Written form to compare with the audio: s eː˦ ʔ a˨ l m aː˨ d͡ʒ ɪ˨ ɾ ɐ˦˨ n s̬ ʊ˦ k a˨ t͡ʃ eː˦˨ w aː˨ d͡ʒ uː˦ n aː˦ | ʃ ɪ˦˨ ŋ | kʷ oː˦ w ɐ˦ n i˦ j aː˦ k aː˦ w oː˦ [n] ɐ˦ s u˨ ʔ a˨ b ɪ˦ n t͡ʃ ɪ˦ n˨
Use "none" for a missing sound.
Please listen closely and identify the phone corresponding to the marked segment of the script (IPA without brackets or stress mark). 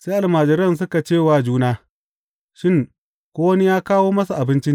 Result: m